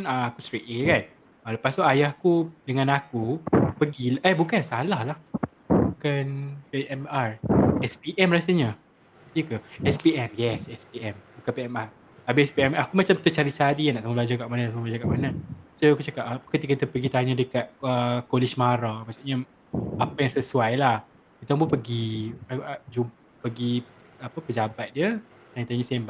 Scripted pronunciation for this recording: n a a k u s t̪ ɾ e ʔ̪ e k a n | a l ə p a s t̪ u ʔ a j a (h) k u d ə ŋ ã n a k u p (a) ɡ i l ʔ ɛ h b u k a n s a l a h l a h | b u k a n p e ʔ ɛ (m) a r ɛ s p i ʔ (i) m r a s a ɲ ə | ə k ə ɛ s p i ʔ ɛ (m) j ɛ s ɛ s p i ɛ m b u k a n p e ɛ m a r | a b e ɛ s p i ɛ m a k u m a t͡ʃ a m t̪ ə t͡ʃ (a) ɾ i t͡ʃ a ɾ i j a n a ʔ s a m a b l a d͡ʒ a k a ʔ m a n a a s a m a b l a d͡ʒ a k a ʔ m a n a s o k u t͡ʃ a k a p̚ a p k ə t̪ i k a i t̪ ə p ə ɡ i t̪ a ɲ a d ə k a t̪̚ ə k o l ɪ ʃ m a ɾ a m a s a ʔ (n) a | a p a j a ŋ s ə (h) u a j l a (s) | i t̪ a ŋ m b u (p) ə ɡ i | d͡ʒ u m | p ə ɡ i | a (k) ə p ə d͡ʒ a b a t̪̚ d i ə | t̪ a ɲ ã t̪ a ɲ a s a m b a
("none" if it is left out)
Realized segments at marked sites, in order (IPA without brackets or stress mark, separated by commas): h, ə, m, ɛ, m, a, ɲ, s, h, p, p